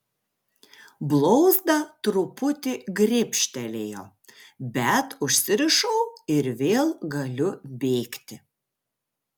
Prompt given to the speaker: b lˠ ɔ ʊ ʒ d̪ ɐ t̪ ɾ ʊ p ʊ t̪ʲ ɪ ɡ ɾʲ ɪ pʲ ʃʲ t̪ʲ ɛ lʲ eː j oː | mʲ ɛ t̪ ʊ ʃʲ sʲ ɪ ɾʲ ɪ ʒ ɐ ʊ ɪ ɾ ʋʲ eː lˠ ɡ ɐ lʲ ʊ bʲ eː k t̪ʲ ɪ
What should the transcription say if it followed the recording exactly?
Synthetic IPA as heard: b lˠ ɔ ʊ z d̪ ɐ t̪ ɾ ʊ p ʊ t̪ʲ ɪ ɡ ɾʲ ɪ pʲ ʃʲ t̪ʲ ɛ lʲ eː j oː | bʲ ɛ t̪ ʊ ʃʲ sʲ ɪ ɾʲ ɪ ʃ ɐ ʊ ɪ ɾ ʋʲ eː lˠ ɡ ɐ lʲ ʊ bʲ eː k t̪ʲ ɪ